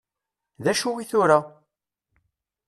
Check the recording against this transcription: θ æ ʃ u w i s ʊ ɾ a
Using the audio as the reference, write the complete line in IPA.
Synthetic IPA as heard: ð æ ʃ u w i θ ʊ ɾ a